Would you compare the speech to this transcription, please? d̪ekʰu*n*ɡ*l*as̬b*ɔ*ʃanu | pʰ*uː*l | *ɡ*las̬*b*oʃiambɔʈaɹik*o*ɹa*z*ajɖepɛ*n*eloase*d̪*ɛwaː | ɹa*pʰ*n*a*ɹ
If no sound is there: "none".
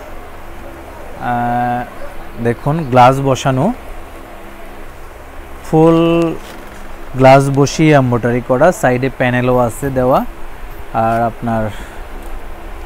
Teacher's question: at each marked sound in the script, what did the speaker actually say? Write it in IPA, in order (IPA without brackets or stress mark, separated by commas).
n, l, ɔ, u, ɡ, b, ɔ, s, n, d̪, p, a